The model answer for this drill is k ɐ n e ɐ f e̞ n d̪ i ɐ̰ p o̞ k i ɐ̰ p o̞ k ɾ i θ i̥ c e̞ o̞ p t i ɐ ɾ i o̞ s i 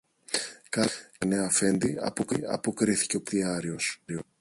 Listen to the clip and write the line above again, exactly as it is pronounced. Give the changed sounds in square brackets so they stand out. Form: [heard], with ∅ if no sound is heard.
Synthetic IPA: k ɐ n e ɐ f e̞ n d̪ i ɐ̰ p o̞ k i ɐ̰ p o̞ k ɾ i θ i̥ c e̞ o̞ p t i ɐ ɾ i o̞ s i